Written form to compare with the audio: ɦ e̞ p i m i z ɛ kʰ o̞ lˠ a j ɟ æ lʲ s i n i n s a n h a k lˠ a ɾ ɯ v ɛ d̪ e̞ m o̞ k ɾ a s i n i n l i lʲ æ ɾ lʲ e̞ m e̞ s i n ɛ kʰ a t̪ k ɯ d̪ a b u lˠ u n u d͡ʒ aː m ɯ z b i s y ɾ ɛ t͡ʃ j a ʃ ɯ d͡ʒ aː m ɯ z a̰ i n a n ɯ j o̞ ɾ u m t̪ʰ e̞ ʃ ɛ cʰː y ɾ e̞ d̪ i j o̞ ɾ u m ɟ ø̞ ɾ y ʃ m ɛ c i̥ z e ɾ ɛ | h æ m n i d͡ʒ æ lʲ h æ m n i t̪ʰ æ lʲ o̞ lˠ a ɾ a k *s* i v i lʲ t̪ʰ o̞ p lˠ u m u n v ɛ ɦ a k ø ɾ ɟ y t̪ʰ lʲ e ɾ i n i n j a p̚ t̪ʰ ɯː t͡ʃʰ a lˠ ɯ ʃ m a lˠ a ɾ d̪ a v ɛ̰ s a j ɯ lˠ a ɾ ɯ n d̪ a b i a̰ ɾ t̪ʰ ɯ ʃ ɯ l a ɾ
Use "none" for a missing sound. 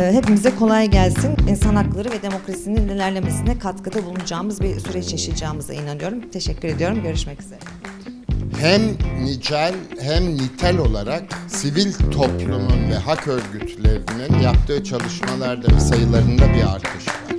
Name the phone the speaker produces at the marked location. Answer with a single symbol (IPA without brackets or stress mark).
s